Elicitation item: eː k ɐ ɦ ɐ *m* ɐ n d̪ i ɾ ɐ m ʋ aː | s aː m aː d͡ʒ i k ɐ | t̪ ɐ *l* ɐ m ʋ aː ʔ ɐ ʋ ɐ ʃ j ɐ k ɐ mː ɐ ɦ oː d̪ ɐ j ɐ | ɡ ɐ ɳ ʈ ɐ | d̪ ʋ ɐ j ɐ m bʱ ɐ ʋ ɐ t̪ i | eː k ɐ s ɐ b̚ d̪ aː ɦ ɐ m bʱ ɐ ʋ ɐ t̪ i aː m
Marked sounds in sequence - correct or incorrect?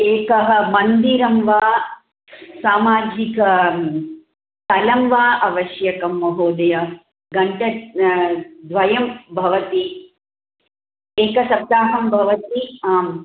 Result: correct, correct

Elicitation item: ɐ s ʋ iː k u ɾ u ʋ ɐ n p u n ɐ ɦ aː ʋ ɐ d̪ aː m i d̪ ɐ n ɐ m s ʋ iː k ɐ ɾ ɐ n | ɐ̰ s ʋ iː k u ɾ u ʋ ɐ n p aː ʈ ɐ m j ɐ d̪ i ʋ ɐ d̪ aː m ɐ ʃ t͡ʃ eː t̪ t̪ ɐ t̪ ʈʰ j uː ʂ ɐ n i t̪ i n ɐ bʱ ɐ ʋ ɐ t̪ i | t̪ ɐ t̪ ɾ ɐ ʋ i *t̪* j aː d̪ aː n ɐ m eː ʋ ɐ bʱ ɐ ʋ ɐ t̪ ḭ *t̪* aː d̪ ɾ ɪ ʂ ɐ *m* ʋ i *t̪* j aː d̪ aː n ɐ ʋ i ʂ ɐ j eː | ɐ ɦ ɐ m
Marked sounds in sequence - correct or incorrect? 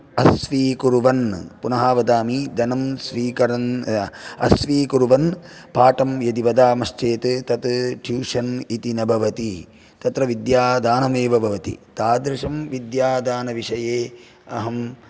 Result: incorrect, correct, correct, incorrect

